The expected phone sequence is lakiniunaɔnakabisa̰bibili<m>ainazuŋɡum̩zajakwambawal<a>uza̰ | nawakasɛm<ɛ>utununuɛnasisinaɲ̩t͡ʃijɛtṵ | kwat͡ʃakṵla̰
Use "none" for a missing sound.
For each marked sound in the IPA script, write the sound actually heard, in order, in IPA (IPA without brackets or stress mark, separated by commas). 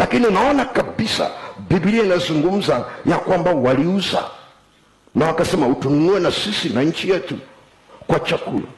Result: none, i, a